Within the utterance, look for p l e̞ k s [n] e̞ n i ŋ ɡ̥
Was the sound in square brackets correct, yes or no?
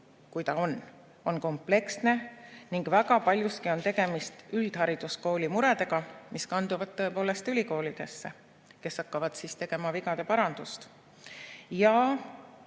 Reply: yes